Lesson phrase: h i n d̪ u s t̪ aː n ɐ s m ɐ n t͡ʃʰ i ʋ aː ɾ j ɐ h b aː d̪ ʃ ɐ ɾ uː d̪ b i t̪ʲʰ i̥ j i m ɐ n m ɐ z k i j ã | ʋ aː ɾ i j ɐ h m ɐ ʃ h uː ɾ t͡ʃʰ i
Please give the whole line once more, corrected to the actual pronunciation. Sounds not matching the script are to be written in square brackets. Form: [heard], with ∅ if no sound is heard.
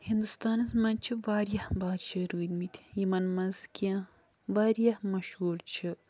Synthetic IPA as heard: h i n d̪ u s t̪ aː n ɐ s m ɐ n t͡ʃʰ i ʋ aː ɾ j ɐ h b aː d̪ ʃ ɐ ɾ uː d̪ [m] i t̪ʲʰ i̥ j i m ɐ n m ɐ z k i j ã | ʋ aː ɾ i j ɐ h m ɐ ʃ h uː ɾ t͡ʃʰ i

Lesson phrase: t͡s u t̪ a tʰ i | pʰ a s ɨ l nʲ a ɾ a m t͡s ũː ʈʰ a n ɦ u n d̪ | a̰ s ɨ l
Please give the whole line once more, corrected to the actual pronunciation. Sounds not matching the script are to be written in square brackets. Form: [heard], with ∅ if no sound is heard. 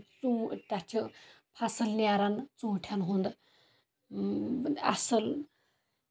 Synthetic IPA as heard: t͡s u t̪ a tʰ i | pʰ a s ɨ l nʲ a ɾ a [n] t͡s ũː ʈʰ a n ɦ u n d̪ | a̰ s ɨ l

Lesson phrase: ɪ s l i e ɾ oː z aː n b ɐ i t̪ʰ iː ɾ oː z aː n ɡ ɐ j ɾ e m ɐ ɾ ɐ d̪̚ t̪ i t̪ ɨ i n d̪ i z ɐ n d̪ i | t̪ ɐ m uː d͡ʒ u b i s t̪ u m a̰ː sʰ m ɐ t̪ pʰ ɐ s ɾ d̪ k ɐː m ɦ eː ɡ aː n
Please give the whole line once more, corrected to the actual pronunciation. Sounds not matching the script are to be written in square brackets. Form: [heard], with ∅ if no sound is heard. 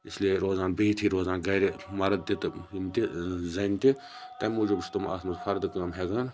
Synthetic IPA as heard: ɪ s l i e ɾ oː z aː n b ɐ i t̪ʰ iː ɾ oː z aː n ɡ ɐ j ɾ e m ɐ ɾ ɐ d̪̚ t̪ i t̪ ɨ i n [t̪] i z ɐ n [t̪] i | t̪ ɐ m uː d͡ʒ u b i s t̪ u m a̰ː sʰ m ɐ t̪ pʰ ɐ [∅] ɾ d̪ k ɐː m ɦ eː ɡ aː n

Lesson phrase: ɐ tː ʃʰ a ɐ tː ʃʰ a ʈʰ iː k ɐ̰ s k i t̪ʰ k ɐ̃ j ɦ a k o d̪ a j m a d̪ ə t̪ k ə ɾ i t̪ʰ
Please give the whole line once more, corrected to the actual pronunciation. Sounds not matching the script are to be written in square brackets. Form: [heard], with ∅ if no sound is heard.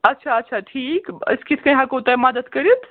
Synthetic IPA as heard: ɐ tː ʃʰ a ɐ tː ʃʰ a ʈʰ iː k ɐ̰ s k i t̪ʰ k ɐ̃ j ɦ a k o [t̪] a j m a d̪ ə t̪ k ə ɾ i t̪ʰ

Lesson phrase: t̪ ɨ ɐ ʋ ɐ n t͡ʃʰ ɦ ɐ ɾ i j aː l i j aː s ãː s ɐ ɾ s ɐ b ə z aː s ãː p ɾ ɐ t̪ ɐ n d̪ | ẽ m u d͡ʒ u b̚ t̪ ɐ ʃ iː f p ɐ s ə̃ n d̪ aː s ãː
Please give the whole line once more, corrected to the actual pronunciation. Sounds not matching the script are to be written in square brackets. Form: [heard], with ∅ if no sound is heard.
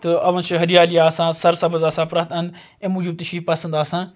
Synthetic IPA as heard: t̪ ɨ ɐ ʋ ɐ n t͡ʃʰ ɦ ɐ ɾ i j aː l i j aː s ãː s ɐ ɾ s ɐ b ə z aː s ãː p ɾ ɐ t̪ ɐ n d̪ | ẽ m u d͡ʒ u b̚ t̪ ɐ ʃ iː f p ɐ s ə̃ n d̪ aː s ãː

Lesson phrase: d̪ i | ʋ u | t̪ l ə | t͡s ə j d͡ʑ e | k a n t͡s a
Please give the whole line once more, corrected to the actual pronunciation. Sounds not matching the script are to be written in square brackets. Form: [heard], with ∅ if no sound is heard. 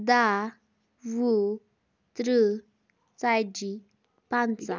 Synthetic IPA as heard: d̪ [a] | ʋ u | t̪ [ɾ] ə | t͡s [a] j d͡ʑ [i] | [p] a n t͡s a

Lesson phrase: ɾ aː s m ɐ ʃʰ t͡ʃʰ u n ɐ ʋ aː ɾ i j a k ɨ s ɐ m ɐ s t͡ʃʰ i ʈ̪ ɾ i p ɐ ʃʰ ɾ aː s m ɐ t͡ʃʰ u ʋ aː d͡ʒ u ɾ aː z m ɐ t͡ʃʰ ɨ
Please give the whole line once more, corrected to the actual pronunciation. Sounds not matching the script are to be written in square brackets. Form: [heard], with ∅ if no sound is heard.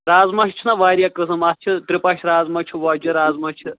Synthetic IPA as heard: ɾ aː [z] m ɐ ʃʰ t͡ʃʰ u n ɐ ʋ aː ɾ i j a k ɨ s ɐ m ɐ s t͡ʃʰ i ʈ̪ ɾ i p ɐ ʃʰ ɾ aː [z] m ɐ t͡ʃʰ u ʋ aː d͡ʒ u ɾ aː z m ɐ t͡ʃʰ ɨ

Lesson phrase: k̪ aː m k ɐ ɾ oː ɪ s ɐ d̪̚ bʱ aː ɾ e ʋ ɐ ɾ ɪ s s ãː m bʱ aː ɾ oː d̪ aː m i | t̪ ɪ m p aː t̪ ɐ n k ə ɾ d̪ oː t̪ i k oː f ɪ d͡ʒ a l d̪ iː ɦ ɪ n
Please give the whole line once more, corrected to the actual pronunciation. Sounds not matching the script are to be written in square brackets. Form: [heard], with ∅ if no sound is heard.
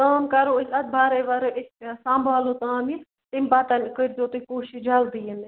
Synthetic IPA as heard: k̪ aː m k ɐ ɾ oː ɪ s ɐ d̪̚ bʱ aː ɾ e ʋ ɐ ɾ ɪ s s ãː m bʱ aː [l] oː [t̪] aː m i | t̪ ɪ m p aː t̪ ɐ n k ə ɾ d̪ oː t̪ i k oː [ʃ] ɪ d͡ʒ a l d̪ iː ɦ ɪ n

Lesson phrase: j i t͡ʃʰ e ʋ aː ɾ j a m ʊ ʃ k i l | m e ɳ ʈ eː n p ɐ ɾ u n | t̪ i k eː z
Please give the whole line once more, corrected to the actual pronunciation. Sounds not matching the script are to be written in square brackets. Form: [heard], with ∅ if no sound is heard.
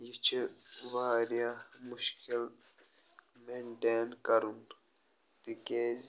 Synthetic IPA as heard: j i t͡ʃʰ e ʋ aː ɾ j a m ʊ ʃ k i l | m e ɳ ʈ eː n [k] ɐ ɾ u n | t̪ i k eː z

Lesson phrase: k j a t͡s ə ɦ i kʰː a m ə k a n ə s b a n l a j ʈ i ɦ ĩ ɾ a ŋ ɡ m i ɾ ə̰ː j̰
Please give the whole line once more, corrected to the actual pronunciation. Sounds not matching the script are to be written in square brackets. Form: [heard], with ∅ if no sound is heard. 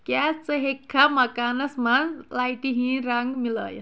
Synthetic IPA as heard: k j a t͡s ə ɦ [e] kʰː a m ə k a n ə s [m] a n l a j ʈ i ɦ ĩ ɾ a ŋ ɡ m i [l] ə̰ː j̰

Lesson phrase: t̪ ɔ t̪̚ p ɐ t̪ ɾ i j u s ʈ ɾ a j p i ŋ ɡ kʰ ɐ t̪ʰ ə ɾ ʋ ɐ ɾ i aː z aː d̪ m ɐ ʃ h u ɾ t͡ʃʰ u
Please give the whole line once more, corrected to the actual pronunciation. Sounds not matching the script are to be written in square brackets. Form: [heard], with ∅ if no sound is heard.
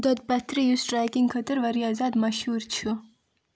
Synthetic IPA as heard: [d̪] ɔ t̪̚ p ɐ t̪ ɾ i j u s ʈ ɾ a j [k] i ŋ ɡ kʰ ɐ [t̪] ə ɾ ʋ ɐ ɾ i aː z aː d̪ m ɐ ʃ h u ɾ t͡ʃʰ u

